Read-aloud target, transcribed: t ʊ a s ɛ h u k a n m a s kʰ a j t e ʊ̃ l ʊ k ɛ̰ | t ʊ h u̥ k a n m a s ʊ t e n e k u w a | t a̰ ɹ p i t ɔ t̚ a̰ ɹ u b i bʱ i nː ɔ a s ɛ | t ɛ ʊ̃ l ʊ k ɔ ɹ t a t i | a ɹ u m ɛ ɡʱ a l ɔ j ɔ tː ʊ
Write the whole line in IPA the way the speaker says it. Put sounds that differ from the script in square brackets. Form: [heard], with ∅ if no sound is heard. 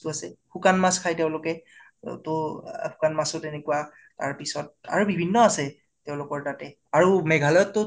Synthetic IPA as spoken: t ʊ a s ɛ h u k a n m a s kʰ a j t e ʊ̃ l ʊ k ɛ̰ | t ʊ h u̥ k a n m a s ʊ t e n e k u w a | t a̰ ɹ p i [s] ɔ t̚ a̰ ɹ u b i bʱ i nː ɔ a s ɛ | t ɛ ʊ̃ l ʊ k ɔ ɹ t a t [ɛ] | a ɹ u m ɛ ɡʱ a l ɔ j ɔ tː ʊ

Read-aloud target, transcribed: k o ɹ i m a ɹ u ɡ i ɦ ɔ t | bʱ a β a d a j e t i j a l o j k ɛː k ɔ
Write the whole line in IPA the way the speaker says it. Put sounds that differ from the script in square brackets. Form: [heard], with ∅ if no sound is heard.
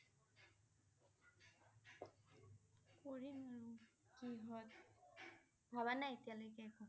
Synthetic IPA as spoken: k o ɹ i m a ɹ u [k] i ɦ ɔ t | bʱ a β a [n] a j e t i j a l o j k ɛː k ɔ

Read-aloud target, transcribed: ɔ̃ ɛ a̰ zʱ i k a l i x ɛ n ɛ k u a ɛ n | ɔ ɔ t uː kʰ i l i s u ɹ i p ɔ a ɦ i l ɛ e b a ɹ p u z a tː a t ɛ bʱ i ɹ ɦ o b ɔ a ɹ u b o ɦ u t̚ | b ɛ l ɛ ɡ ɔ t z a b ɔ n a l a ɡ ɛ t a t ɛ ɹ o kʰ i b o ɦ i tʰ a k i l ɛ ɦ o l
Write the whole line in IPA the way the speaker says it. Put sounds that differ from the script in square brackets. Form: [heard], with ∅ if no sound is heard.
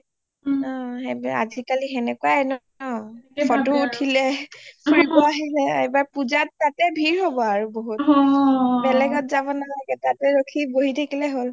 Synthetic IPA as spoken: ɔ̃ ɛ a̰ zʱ i k a l i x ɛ n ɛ k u a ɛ n | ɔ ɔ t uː [tʰ] i l [ɛ] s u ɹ i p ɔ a ɦ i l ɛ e b a ɹ p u z a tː a t ɛ bʱ i ɹ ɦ o b ɔ a ɹ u b o ɦ u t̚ | b ɛ l ɛ ɡ ɔ t z a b ɔ n a l a ɡ ɛ t a t ɛ ɹ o kʰ i b o ɦ i tʰ a k i l ɛ ɦ o l

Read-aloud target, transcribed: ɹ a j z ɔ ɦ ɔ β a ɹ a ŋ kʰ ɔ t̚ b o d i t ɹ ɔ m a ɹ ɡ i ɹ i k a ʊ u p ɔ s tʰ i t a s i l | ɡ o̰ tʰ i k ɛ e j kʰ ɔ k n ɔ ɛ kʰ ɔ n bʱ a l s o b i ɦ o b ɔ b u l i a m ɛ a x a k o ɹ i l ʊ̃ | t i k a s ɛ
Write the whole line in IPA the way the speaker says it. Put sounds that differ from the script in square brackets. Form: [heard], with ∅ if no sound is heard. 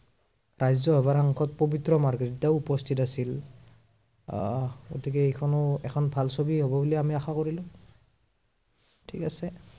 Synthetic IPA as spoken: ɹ a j z ɔ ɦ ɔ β a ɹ a ŋ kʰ ɔ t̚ [p] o [b] i t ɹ ɔ m a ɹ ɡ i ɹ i [t] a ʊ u p ɔ s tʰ i t a s i l | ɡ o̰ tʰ i k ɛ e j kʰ ɔ [∅] n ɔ ɛ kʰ ɔ n bʱ a l s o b i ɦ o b ɔ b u l i a m [i] a x a k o ɹ i l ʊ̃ | [tʰ] i k a s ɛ

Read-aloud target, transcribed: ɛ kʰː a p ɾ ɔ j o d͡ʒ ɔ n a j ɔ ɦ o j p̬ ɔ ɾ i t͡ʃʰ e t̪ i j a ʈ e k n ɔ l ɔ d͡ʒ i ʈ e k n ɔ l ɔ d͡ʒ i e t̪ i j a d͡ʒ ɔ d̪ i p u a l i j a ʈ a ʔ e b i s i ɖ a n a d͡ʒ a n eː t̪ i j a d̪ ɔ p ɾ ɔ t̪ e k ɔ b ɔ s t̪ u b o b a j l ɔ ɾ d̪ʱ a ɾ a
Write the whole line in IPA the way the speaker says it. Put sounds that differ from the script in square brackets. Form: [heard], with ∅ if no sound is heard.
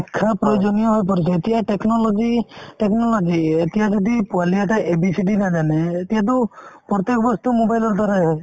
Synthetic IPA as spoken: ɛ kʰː a p ɾ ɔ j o d͡ʒ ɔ n [i] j ɔ ɦ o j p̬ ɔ ɾ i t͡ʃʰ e t̪ i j a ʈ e k n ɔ l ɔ d͡ʒ i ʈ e k n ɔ l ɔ d͡ʒ i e t̪ i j a d͡ʒ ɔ d̪ i p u a l i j a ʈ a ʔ e b i s i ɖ [i] n a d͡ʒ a n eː t̪ i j a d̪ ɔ p ɾ ɔ t̪ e k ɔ b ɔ s t̪ u [m] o b a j l ɔ ɾ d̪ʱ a ɾ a

